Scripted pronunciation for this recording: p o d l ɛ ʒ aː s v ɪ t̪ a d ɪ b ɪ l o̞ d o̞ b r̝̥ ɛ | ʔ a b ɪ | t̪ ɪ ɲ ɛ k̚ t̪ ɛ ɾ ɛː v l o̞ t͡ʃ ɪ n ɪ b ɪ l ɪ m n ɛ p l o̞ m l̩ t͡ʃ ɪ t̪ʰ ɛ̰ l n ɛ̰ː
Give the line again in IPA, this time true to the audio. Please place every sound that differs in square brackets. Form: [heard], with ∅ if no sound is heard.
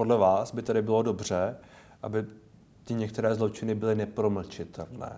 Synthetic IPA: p o d l ɛ [v] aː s [b] ɪ t̪ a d ɪ b ɪ l o̞ d o̞ b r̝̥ ɛ | ʔ a b ɪ | t̪ ɪ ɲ ɛ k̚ t̪ ɛ ɾ ɛː [z] l o̞ t͡ʃ ɪ n ɪ b ɪ l ɪ [∅] n ɛ p [ɾ] o̞ m l̩ t͡ʃ ɪ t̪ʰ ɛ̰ l n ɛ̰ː